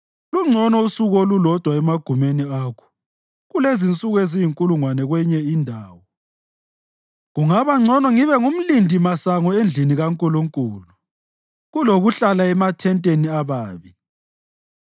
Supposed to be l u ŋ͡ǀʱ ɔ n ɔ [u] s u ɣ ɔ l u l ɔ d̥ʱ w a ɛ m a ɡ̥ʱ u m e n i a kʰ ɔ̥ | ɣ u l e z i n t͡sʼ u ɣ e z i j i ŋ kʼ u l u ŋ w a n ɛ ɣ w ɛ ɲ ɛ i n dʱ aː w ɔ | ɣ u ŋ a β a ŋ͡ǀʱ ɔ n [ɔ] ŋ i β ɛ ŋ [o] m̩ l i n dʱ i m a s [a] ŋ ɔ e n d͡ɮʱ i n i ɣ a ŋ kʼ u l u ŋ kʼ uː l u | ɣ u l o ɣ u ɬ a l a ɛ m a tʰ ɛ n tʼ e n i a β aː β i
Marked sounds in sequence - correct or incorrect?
correct, correct, incorrect: u, correct

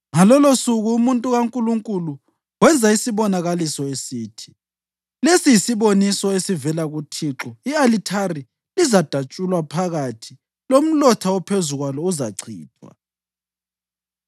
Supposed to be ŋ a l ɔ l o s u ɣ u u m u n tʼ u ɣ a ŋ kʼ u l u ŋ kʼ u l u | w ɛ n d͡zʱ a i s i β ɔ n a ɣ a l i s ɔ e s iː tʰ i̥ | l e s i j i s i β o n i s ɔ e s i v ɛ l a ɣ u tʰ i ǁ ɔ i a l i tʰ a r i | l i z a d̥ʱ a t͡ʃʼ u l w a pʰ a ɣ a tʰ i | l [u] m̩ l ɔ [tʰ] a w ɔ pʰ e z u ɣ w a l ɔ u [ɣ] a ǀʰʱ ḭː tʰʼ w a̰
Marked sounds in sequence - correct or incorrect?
incorrect: o, correct, incorrect: z

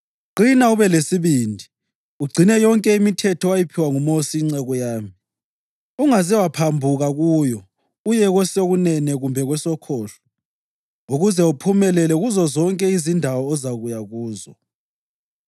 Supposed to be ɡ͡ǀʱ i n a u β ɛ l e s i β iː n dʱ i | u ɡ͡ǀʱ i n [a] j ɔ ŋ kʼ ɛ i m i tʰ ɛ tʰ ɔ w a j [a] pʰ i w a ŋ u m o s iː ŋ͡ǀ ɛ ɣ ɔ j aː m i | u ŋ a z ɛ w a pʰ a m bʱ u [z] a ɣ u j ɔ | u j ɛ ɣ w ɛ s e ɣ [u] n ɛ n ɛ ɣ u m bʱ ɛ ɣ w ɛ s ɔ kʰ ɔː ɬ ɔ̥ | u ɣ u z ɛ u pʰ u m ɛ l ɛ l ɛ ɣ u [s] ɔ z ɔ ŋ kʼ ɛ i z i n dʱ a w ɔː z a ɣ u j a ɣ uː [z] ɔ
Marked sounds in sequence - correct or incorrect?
incorrect: ɛ, incorrect: i, incorrect: ɣ, correct, incorrect: z, correct

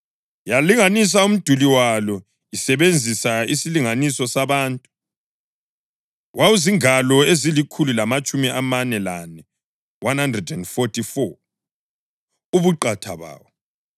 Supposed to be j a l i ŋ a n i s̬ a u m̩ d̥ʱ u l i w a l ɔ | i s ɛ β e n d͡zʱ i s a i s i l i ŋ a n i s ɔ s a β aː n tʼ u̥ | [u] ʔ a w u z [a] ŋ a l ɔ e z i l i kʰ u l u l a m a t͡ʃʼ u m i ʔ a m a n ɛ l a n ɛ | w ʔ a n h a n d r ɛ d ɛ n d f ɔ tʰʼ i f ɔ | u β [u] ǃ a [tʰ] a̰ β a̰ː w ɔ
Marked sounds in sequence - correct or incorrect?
incorrect: w, incorrect: i, correct, correct

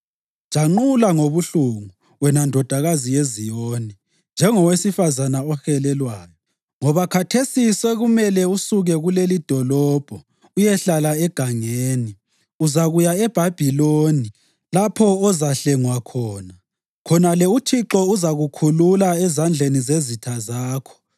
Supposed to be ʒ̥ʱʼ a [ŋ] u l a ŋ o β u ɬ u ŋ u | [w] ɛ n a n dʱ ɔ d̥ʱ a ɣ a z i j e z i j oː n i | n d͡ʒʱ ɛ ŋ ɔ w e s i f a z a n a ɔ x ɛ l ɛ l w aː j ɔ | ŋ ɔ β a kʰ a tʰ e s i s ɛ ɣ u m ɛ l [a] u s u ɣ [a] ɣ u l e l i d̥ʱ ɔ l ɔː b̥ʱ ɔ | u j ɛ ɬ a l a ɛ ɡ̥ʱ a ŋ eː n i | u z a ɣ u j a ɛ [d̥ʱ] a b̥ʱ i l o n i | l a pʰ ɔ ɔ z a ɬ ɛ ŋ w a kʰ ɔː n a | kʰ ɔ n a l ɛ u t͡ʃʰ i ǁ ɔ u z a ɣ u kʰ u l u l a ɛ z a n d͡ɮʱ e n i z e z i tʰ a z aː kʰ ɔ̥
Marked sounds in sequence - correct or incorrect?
incorrect: ŋ͡ǃ, correct, incorrect: ɛ, incorrect: ɛ, incorrect: b̥ʱ

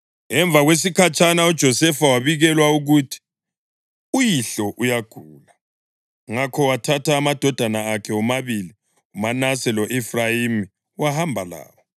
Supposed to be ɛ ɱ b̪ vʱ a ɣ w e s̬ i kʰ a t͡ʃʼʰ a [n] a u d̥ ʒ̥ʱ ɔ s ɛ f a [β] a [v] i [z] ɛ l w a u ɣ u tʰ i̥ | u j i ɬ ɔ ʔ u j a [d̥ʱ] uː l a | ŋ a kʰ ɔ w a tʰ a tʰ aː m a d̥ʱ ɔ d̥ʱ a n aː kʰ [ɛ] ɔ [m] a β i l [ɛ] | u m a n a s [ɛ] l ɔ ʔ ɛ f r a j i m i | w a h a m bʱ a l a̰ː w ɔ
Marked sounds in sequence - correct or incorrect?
correct, incorrect: w, incorrect: β, incorrect: ɣ, incorrect: ɡ̥ʱ, correct, correct, incorrect: i, correct

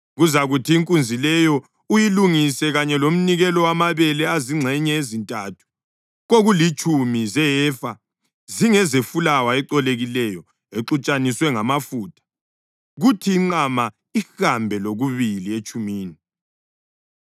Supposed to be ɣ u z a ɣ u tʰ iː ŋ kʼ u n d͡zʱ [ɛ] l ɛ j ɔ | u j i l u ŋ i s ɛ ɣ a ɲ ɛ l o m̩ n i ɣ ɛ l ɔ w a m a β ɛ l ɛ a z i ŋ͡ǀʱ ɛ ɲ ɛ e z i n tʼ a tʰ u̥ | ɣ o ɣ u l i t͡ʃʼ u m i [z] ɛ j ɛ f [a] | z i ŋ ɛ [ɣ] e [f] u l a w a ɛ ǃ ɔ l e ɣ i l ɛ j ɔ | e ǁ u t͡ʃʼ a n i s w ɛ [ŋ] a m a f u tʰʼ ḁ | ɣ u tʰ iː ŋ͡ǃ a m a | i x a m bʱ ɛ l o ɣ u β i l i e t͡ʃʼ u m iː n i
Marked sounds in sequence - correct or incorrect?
incorrect: i, correct, correct, incorrect: z, correct, correct

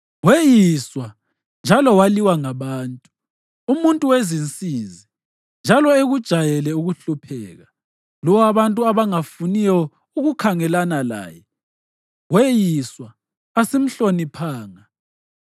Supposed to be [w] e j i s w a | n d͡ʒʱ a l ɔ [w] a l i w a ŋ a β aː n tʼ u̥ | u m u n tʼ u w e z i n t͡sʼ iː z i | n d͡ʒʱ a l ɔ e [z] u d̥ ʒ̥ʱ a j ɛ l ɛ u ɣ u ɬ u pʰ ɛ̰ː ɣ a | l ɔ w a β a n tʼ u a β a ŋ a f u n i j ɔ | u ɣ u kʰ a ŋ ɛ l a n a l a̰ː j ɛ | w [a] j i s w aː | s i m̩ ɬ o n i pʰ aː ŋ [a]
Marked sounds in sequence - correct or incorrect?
correct, correct, incorrect: ɣ, incorrect: e, correct

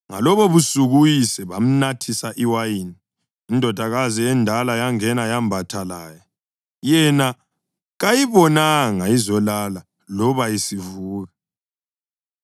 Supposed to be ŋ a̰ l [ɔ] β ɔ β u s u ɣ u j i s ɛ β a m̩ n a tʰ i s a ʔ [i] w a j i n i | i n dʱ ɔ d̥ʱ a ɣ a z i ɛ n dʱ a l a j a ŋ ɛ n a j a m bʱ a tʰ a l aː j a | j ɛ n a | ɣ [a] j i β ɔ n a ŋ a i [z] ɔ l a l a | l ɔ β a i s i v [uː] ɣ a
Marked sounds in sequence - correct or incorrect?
correct, correct, correct, correct, correct

